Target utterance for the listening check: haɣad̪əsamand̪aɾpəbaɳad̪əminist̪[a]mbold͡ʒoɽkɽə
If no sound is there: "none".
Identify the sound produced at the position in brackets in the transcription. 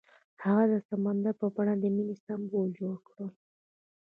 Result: a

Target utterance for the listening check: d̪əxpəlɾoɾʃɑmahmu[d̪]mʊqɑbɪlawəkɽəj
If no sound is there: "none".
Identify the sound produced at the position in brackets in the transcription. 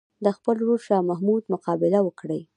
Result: d̪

